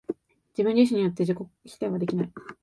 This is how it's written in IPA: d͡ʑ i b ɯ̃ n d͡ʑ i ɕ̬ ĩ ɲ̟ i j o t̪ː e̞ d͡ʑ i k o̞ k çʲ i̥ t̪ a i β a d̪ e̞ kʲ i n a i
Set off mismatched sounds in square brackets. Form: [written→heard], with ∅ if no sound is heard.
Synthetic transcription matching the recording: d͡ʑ i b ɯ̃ [n→ɲ] d͡ʑ i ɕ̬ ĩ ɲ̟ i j o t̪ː e̞ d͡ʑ i k o̞ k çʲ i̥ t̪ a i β a d̪ e̞ kʲ i n a i